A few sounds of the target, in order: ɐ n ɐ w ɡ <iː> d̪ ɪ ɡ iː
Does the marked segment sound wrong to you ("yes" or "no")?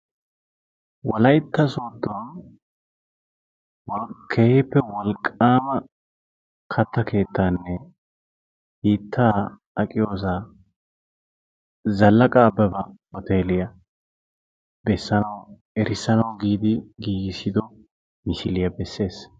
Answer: no